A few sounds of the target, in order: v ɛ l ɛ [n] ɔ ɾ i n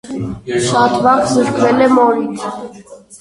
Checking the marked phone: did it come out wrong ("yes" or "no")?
yes